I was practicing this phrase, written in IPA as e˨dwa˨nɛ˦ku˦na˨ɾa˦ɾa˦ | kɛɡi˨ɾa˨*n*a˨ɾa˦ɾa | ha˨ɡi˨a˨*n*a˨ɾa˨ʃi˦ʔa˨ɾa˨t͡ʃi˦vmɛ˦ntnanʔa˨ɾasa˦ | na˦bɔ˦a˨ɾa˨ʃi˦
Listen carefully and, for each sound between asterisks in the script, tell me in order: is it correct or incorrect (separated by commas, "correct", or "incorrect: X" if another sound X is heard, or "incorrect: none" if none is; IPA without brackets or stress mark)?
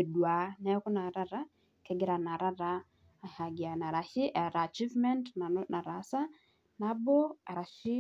correct, correct